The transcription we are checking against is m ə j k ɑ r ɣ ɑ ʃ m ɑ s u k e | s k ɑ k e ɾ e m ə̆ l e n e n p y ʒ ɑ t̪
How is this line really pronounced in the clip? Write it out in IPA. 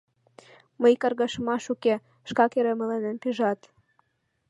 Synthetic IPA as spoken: m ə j k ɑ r ɣ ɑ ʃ m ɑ ʃ u k e | ʃ k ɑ k e ɾ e m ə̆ l e n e n p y ʒ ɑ t̪